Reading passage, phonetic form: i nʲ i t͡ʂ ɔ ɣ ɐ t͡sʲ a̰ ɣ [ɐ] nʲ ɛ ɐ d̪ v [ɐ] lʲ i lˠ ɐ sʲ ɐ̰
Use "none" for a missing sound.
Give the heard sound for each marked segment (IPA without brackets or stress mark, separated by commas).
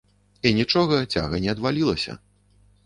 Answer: ɐ, a